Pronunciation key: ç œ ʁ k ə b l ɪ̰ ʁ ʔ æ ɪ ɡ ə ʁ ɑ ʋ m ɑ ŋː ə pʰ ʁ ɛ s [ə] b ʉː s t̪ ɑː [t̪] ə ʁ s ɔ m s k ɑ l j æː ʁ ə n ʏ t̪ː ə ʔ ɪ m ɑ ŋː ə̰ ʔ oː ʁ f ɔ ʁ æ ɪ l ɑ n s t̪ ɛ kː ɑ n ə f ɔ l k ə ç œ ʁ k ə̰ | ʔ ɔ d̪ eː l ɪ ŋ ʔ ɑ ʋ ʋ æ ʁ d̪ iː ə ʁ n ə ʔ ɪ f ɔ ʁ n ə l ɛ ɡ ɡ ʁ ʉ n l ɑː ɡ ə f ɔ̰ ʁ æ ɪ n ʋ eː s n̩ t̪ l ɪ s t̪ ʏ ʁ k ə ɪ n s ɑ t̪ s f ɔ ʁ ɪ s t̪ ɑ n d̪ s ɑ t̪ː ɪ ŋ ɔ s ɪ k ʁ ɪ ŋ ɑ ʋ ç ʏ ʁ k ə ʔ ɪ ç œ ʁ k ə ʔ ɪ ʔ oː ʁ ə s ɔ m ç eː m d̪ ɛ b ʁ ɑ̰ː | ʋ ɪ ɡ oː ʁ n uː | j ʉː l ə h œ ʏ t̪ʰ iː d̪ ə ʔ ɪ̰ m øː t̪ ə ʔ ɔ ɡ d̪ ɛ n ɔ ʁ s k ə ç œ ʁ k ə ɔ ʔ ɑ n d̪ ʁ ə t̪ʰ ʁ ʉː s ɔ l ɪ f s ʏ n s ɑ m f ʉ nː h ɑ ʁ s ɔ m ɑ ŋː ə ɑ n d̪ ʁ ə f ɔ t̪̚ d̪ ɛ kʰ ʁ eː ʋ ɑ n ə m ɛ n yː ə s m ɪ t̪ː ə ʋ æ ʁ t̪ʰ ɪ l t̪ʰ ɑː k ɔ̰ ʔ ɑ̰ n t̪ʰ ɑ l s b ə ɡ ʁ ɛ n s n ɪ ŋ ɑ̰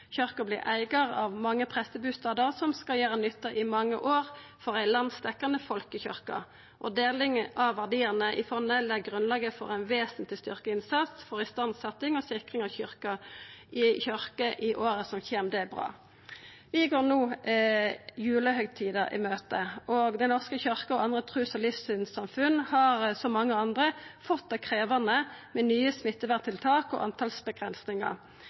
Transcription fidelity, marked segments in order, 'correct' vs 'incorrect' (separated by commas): correct, incorrect